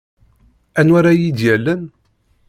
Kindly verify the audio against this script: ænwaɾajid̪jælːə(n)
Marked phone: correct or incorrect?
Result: correct